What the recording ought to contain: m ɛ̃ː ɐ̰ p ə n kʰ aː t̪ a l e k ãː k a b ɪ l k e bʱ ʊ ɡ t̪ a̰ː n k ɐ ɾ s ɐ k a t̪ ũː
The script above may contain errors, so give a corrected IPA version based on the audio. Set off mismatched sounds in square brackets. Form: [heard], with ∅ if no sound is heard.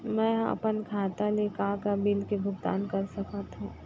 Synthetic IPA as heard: m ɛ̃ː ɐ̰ p ə n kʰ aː t̪ a l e k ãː k a b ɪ l k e bʱ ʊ ɡ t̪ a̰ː n k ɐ ɾ s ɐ k a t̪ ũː

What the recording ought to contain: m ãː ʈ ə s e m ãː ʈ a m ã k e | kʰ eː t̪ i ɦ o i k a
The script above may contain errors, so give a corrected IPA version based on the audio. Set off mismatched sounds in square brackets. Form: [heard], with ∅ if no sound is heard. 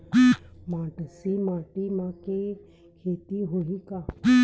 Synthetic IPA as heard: m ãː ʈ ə s [i] m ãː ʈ [i] m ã k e | kʰ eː t̪ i ɦ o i k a

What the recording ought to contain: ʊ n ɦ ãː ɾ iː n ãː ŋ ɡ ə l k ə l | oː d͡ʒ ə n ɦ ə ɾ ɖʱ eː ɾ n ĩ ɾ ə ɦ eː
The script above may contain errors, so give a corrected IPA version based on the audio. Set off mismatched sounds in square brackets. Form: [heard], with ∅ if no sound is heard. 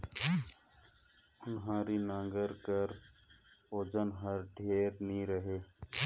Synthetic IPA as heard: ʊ n ɦ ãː ɾ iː n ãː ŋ ɡ ə [ɾ] k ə [ɾ] | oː d͡ʒ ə n ɦ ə ɾ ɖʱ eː ɾ n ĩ ɾ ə ɦ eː

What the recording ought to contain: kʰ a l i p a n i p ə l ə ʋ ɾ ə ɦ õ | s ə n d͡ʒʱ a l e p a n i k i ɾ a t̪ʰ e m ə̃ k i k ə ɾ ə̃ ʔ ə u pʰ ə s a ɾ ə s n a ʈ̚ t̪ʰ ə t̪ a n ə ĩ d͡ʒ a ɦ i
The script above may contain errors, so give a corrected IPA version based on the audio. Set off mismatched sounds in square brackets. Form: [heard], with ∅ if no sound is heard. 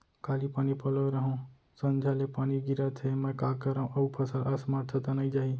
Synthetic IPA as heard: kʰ a l i p a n i p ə l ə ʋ ɾ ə ɦ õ | s ə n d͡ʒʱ a l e p a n i [ɡ] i ɾ a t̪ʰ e m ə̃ k [a] k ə ɾ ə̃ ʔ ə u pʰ ə s a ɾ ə s [m] a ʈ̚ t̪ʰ ə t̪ a n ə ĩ d͡ʒ a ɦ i

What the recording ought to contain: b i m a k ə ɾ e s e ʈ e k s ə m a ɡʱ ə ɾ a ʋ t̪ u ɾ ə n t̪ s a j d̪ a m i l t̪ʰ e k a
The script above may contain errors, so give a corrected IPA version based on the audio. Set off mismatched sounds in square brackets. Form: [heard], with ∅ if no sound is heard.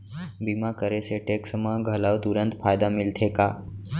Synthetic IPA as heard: b i m a k ə ɾ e s e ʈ e k s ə m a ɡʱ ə [l] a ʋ t̪ u ɾ ə n t̪ [f] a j d̪ a m i l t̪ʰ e k a

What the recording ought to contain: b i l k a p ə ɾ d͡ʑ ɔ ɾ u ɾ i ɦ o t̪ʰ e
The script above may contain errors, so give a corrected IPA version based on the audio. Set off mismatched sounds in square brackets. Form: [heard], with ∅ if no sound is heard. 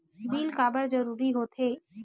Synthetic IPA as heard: b i l k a [b] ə ɾ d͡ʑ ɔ ɾ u ɾ i ɦ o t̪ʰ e

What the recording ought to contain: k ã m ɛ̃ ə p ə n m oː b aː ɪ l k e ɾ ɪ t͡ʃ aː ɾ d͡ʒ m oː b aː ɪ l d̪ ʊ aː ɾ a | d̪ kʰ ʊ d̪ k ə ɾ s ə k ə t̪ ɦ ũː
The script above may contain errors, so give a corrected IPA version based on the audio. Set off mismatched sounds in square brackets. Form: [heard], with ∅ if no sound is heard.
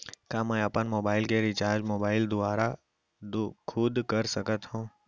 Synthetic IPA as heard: k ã m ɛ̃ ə p ə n m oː b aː ɪ l k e ɾ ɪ t͡ʃ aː ɾ d͡ʒ m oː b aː ɪ l d̪ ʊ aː ɾ a | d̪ kʰ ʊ d̪ k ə ɾ s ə k ə t̪ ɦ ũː

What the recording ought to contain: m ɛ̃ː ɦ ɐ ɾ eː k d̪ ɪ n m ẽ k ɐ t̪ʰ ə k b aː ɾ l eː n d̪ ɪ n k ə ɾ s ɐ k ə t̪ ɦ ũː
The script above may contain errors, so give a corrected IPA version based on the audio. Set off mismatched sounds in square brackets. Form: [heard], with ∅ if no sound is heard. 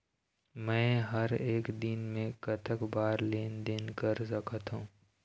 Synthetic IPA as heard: m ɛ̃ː ɦ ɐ ɾ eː k d̪ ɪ n m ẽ k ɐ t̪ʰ ə k b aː ɾ l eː n d̪ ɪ n k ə ɾ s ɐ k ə t̪ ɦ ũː

